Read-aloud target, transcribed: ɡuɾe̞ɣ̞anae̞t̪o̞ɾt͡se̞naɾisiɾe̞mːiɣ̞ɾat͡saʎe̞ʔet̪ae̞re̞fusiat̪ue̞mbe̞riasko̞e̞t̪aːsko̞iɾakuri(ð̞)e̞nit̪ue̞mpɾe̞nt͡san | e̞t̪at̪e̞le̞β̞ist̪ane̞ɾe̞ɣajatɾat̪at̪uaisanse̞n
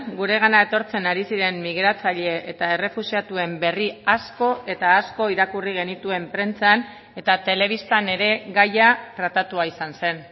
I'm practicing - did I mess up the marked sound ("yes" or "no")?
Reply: yes